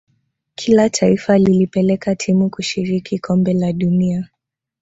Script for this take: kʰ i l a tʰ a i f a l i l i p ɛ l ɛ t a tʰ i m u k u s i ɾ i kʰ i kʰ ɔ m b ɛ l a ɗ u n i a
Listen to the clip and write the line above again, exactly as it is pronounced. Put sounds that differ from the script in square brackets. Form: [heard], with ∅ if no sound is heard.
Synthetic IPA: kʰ i l a tʰ a i f a l i l i p ɛ l ɛ [k] a tʰ i m u k u [ʃ] i ɾ i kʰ i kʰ ɔ m b ɛ l a ɗ u n i a